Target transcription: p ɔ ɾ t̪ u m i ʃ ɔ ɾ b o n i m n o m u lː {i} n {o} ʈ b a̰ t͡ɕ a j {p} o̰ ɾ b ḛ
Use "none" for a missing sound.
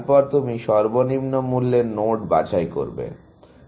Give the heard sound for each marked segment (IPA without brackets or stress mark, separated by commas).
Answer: e, o, k